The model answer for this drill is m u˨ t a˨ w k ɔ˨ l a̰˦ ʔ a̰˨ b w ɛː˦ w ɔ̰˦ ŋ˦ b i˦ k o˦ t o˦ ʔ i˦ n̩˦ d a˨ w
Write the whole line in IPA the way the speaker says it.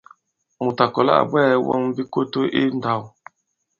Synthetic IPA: m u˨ t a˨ k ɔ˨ l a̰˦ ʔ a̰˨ b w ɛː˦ w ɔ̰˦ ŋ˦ b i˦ k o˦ t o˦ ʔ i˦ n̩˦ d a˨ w